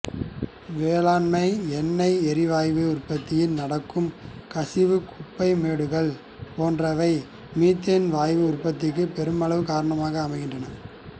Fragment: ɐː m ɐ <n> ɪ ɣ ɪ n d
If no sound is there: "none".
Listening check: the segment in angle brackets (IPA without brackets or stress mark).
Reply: none